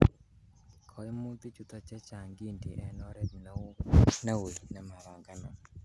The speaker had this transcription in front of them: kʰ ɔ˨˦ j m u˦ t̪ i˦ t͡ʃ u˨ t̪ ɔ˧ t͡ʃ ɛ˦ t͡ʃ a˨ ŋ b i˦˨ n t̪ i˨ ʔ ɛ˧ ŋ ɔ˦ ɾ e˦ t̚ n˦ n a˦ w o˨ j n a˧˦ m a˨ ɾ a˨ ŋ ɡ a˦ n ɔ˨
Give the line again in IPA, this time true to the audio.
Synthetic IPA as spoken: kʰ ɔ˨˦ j m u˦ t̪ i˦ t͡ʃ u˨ t̪ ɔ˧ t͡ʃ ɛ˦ t͡ʃ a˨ ŋ ɡ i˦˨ n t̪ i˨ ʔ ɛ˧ n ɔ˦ ɾ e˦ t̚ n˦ n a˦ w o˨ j n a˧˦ m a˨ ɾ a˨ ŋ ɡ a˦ n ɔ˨